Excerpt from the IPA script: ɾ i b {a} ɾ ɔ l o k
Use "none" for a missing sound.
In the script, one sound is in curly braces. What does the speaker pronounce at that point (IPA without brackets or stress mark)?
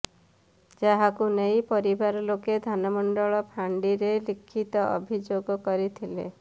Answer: a